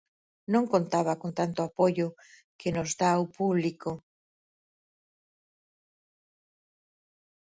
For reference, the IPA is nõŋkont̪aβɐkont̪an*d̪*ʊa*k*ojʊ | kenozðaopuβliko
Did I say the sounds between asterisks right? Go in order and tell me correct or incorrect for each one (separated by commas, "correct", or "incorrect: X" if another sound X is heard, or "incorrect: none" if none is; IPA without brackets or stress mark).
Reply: incorrect: t̪, incorrect: p